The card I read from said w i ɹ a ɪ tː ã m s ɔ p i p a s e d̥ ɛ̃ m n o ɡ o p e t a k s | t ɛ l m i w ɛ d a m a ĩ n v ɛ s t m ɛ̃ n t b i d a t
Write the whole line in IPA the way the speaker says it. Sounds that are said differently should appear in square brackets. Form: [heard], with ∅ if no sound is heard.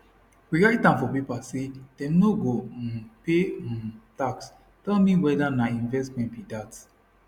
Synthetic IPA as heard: w i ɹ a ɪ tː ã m [f] ɔ p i p a s e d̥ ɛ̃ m n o ɡ o p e t a k s | t ɛ l m i w ɛ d a [n] a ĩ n v ɛ s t m ɛ̃ n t b i d a t